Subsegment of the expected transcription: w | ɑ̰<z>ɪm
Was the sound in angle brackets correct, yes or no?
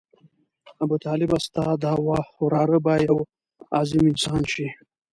yes